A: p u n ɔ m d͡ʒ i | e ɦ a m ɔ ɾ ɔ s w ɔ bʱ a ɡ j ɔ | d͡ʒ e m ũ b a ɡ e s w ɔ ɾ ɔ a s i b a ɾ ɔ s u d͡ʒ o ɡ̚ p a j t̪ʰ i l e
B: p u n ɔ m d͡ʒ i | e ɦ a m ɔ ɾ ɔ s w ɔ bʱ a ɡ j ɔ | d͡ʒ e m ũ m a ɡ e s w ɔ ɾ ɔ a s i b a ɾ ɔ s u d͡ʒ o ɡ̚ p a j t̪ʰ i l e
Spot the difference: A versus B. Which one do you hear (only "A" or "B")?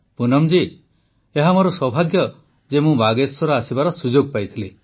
A